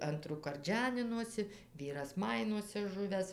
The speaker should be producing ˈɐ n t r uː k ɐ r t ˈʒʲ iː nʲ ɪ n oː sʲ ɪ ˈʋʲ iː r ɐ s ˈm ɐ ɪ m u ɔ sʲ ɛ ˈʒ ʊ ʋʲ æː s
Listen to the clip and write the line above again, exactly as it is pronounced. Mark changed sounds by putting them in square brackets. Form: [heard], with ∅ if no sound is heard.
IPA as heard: ˈɐ n t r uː k ɐ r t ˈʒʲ [æː] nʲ ɪ n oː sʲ ɪ ˈʋʲ iː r ɐ s ˈm ɐ ɪ [n] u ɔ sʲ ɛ ˈʒ ʊ ʋʲ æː s